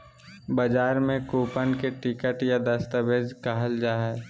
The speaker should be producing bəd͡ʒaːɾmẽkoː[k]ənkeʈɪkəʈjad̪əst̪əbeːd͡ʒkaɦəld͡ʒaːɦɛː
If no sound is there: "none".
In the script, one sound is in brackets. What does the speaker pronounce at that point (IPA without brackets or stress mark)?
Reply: p